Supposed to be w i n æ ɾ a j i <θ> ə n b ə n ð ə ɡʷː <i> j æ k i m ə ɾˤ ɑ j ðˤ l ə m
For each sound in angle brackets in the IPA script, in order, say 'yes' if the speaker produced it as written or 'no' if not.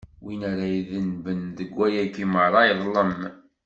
no, no

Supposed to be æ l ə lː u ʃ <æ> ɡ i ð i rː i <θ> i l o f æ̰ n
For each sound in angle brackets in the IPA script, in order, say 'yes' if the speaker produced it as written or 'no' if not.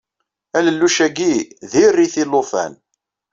yes, yes

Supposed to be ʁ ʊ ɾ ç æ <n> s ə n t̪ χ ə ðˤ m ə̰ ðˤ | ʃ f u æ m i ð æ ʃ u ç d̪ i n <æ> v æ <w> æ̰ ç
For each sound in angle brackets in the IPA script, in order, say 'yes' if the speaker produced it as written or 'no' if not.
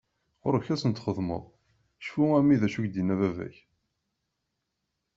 no, yes, no

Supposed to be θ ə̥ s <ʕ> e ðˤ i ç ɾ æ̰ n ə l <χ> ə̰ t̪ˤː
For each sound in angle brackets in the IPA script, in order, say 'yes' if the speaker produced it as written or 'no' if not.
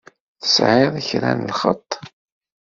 yes, yes

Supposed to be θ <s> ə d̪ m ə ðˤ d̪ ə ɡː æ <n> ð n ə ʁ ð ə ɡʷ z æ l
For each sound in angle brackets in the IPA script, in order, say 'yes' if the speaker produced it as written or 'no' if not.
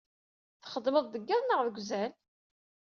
no, no

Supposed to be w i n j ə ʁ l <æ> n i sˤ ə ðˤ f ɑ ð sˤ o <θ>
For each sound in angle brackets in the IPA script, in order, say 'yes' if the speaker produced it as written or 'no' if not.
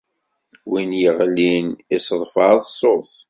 no, yes

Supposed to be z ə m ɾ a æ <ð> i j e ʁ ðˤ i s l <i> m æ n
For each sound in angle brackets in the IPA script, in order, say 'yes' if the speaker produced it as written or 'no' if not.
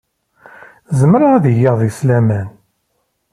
yes, no

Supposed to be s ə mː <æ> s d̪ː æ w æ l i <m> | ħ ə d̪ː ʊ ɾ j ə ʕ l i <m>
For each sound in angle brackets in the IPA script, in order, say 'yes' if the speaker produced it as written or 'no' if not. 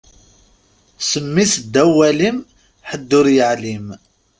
no, yes, yes

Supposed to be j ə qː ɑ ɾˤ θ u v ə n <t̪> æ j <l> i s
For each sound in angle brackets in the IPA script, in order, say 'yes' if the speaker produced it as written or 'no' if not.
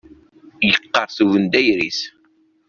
no, no

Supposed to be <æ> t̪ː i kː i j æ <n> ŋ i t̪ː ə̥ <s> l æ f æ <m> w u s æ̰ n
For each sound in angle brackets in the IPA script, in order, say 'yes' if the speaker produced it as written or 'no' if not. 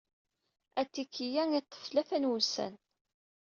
yes, no, no, no

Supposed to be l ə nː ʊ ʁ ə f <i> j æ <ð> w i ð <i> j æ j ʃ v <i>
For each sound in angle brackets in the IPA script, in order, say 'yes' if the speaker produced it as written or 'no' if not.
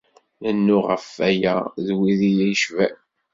no, yes, yes, no

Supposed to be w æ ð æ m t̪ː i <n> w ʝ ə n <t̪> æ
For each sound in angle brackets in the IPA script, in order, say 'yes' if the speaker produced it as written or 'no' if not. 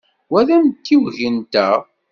no, yes

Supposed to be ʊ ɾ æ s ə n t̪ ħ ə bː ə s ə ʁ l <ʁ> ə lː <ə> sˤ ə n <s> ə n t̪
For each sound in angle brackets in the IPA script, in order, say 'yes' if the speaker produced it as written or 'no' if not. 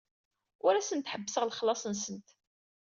no, no, yes

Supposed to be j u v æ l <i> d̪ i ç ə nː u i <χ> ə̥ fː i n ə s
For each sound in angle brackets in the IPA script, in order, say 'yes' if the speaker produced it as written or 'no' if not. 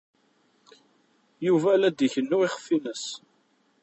no, yes

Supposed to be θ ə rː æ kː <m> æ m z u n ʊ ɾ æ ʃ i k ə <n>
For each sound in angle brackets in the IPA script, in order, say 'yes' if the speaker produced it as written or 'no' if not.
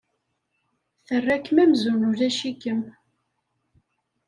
yes, no

